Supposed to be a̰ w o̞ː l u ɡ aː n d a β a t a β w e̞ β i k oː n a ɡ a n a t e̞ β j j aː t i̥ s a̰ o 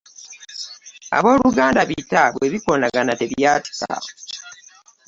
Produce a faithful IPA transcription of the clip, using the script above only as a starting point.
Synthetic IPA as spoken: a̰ β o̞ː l u ɡ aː n d a β i t a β w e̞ β i k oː n a ɡ a n a t e̞ β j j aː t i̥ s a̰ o

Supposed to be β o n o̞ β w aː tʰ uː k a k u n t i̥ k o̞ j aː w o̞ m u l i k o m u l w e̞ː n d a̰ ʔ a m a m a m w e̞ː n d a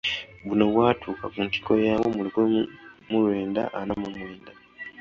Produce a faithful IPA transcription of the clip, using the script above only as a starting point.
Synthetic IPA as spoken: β u n o̞ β w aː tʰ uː k a k u n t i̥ k o̞ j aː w o̞ m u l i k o m u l w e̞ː n d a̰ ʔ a n a m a m w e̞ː n d a

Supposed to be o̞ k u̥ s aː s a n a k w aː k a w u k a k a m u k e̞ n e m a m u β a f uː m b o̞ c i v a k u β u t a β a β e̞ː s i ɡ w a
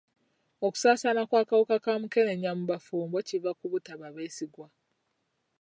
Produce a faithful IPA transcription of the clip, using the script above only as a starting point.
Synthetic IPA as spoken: o̞ k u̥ s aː s a n a k w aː k a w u k a k a m u k e̞ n e ɲ a m u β a f uː m b o̞ c i v a k u β u t a β a β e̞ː s i ɡ w a

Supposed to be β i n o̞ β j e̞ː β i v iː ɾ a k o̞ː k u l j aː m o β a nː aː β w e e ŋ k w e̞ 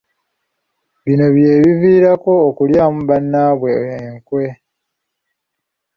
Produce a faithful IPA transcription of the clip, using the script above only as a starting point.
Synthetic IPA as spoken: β i n o̞ β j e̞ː β i v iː ɾ a k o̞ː k u l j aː m u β a nː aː β w e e ŋ k w e̞

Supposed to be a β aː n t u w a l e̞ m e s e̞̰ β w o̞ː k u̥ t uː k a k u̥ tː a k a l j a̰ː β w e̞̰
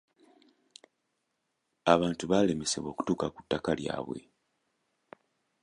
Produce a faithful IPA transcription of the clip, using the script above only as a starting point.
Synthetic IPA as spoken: a β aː n t u β a l e̞ m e s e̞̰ β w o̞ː k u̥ t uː k a k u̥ tː a k a l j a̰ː β w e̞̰

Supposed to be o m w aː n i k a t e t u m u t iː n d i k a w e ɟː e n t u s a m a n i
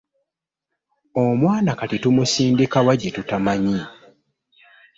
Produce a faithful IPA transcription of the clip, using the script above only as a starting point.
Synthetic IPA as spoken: o m w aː n a k a t i t u m u s iː n d i k a w a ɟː e t u t a m a ɲ i

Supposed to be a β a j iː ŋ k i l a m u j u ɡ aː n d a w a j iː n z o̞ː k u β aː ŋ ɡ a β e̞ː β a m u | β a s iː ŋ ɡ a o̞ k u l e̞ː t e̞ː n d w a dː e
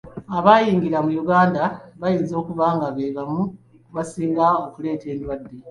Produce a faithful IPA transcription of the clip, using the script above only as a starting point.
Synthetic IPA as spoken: a β a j iː ŋ ɡ i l a m u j u ɡ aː n d a β a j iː n z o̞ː k u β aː ŋ ɡ a β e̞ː β a m u | β a s iː ŋ ɡ a o̞ k u l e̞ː t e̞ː n d w a dː e

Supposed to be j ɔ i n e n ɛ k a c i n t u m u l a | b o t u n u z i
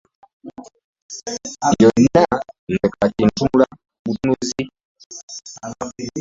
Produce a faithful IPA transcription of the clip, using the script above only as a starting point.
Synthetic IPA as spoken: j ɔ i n a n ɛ k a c i n t u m u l a | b u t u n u z i

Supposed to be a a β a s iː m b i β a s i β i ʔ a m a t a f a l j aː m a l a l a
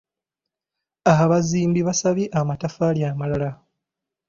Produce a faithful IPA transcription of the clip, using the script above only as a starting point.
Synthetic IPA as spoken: a a β a z iː m b i β a s a β i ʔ a m a t a f a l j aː m a l a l a

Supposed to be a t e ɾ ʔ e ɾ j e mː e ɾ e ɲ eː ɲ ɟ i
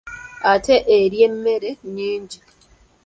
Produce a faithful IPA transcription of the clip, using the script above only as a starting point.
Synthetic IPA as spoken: a t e ʔ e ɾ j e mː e ɾ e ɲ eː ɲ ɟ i

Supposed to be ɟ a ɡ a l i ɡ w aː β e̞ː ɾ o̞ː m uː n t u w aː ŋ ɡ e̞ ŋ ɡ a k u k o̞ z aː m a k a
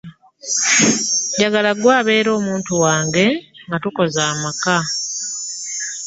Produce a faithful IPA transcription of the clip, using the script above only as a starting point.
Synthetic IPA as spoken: ɟ a ɡ a l a ɡ w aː β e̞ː ɾ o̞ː m uː n t u w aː ŋ ɡ e̞ ŋ ɡ a t u k o̞ z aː m a k a

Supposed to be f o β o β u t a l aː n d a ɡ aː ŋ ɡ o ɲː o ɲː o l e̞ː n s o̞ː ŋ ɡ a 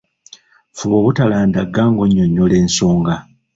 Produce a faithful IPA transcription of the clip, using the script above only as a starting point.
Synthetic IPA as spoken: f u β o β u t a l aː n d a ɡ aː ŋ ɡ o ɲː o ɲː o l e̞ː n s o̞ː ŋ ɡ a

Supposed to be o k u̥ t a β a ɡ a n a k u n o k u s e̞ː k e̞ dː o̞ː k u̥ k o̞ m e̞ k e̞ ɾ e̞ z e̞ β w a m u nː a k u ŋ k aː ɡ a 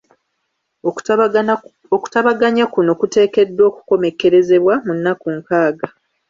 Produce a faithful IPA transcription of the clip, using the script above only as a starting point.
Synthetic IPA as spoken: o k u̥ t a β a ɡ a ɲ a k u n o k u t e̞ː k e̞ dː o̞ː k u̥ k o̞ m e̞ k e̞ ɾ e̞ z e̞ β w a m u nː a k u ŋ k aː ɡ a

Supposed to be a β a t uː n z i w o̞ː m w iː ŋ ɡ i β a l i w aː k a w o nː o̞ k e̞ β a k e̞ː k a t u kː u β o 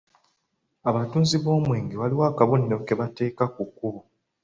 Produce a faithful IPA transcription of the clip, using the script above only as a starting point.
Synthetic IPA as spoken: a β a t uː n z i β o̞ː m w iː ŋ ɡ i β a l i w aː k a β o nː o̞ k e̞ β a t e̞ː k a k u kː u β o

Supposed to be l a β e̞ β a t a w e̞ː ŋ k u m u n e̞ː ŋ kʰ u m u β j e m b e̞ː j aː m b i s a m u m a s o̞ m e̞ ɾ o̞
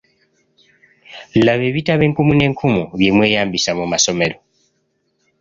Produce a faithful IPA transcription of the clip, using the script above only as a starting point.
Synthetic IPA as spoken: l a β e̞ β i t a β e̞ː ŋ k u m u n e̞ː ŋ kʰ u m u β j e m w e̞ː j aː m b i s a m u m a s o̞ m e̞ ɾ o̞

